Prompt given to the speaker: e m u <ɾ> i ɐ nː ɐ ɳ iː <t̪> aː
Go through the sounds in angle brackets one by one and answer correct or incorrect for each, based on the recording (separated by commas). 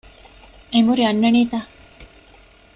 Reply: correct, correct